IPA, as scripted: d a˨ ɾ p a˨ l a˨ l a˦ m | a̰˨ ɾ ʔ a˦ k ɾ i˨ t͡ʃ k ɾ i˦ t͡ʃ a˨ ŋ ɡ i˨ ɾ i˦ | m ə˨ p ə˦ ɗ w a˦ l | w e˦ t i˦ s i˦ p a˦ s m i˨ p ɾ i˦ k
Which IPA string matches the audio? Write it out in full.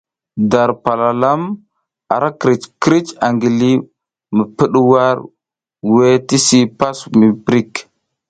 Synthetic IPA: d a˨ ɾ p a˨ l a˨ l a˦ m | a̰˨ ɾ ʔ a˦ k ɾ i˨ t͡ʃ k ɾ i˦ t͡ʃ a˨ ŋ ɡ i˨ l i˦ | m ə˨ p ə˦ ɗ w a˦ ɾ | w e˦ t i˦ s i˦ p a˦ s m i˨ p ɾ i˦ k